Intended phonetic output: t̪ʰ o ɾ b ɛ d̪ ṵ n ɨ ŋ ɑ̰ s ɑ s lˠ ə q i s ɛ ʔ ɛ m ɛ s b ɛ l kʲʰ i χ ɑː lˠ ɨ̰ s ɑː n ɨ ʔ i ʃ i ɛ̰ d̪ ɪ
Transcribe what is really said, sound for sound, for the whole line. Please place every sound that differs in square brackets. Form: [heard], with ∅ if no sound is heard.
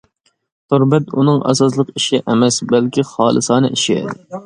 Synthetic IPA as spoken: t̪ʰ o ɾ b ɛ [t̪] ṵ n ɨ ŋ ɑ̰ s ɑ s lˠ ə q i [ʃ] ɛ ʔ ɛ m ɛ s b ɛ l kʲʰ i χ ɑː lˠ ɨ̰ s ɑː n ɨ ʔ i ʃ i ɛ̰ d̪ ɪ